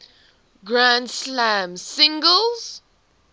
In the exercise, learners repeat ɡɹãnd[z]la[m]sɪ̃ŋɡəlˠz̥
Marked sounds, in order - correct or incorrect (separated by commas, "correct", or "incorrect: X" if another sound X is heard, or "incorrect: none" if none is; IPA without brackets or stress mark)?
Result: incorrect: s, correct